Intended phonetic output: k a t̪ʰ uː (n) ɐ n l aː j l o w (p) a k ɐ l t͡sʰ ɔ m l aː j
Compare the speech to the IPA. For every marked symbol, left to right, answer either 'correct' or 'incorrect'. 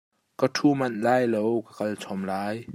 incorrect: m, incorrect: k

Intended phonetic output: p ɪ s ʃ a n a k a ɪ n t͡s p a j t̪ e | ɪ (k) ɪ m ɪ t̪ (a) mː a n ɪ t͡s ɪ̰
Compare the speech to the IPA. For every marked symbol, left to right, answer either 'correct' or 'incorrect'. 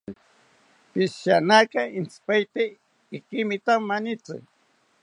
correct, correct

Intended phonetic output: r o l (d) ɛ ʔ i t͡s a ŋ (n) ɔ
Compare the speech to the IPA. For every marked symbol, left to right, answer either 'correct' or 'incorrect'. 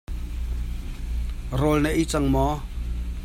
incorrect: n, incorrect: m

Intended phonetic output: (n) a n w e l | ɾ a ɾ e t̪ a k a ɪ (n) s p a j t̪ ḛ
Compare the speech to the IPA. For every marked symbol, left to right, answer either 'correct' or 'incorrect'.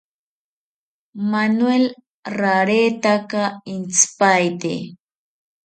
incorrect: m, correct

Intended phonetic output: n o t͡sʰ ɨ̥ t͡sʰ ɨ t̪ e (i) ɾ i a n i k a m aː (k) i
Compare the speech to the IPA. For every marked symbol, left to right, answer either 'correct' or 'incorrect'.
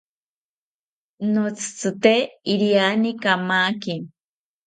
correct, correct

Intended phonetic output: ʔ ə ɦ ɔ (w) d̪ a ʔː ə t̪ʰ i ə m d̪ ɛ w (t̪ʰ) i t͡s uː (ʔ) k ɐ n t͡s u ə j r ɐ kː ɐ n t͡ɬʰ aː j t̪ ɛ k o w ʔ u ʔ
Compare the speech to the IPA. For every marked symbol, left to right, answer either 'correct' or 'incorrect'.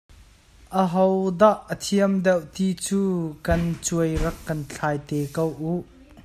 correct, incorrect: t̪, incorrect: none

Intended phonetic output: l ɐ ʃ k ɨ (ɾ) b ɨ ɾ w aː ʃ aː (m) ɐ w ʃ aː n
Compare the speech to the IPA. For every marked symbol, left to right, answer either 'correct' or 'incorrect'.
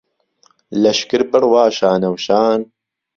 correct, incorrect: n

